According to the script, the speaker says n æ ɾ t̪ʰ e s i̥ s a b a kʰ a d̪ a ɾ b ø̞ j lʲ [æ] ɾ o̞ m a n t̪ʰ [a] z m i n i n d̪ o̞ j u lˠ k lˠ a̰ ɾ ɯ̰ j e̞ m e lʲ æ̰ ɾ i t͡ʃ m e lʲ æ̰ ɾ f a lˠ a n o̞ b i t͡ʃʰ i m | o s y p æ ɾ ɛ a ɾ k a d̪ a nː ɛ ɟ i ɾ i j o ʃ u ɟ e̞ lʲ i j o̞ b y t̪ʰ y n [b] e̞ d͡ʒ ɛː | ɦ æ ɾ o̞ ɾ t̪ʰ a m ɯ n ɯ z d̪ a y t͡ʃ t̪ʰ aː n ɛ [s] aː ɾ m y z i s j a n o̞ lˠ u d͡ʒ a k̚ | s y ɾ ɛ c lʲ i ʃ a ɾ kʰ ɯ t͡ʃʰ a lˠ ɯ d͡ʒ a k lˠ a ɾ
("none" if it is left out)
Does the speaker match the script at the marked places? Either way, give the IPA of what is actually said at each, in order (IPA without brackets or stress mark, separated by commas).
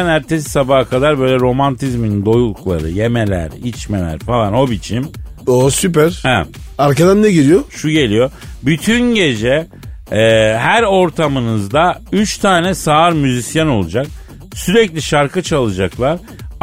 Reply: ɛ, i, ɟ, s